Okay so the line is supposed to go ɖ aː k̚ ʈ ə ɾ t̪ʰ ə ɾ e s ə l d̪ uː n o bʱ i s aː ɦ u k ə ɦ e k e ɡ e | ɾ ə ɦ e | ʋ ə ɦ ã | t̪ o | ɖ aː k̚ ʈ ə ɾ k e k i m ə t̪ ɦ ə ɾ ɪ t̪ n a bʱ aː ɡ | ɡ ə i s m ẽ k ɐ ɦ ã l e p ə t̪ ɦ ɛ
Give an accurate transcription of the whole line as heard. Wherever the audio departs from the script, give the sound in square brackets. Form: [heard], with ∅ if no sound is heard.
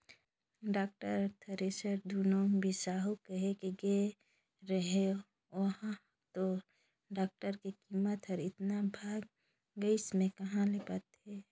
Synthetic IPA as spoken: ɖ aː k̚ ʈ ə ɾ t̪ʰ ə ɾ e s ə [ɾ] d̪ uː n o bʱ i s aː ɦ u k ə ɦ e k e ɡ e | ɾ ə ɦ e | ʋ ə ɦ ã | t̪ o | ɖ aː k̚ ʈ ə ɾ k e k i m ə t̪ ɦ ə ɾ ɪ t̪ n a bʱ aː ɡ | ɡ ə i s m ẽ k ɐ ɦ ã l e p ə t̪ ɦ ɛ

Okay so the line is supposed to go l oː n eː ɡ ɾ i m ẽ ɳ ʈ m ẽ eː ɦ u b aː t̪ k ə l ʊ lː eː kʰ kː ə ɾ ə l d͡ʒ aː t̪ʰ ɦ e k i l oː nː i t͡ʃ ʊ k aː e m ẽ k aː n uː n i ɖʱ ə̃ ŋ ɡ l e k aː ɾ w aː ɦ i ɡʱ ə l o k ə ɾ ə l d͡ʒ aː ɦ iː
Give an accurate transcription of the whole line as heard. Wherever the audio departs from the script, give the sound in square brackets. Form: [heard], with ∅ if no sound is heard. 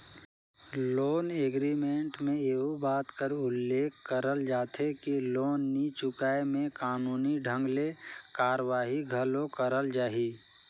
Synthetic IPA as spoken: l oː n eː ɡ ɾ i m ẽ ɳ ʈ m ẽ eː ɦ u b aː t̪ k ə [ɾ] ʊ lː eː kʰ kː ə ɾ ə l d͡ʒ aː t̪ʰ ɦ e k i l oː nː i t͡ʃ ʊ k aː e m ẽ k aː n uː n i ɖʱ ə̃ ŋ ɡ l e k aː ɾ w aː ɦ i ɡʱ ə l o k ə ɾ ə l d͡ʒ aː ɦ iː

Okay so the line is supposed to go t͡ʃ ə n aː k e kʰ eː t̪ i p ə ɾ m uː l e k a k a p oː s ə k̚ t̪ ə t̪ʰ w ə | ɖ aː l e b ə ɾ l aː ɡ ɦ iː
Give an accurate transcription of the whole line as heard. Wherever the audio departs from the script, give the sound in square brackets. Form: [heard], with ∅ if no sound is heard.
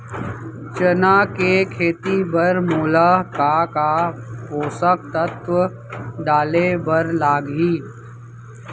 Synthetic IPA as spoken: t͡ʃ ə n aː k e kʰ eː t̪ i [b] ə ɾ m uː l [a] k a k a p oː s ə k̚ t̪ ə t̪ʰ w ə | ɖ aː l e b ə ɾ l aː ɡ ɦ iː

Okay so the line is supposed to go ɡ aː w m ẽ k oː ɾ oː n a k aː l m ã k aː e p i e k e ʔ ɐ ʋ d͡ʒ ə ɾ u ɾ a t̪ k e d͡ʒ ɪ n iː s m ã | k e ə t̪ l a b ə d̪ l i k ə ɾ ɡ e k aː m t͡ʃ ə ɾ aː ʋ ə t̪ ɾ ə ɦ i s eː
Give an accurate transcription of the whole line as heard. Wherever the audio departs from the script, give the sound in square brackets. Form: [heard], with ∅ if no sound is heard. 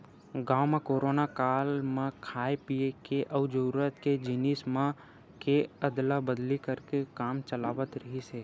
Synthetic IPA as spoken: ɡ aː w m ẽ k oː ɾ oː n a k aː l m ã [kʰ] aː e p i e k e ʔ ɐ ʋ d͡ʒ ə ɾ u ɾ [ə] t̪ k e d͡ʒ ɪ n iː s m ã | k e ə [d̪] l a b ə d̪ l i k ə ɾ [k] e k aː m t͡ʃ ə [l] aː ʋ ə t̪ ɾ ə ɦ i s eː

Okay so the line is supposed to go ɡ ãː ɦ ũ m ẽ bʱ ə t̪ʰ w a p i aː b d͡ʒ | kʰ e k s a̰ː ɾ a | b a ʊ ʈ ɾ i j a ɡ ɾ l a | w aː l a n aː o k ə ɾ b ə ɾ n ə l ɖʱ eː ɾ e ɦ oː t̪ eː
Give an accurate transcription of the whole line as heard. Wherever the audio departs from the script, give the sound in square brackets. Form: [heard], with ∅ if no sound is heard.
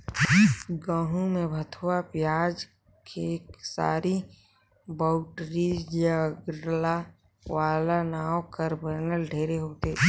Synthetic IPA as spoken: ɡ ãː ɦ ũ m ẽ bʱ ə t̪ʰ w a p [j] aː [∅] d͡ʒ | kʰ e k s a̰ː ɾ [i] | b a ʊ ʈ ɾ i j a ɡ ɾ l a | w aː l a n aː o k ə ɾ b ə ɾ n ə l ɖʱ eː ɾ e ɦ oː t̪ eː

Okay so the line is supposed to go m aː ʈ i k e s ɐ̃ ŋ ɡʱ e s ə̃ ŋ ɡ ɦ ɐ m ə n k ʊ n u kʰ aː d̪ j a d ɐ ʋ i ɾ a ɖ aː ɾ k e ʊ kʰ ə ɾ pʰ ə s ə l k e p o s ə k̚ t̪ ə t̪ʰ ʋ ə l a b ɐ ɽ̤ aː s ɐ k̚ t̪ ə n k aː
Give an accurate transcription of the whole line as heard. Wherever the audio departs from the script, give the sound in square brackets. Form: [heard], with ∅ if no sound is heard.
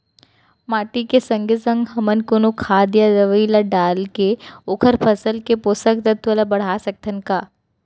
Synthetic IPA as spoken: m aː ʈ i k e s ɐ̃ ŋ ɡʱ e s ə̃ ŋ ɡ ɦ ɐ m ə n k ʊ n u kʰ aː d̪ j a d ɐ ʋ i [l] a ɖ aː [l] k e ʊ kʰ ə ɾ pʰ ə s ə l k e p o s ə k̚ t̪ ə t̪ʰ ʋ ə l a b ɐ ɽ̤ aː s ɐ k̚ t̪ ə n k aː

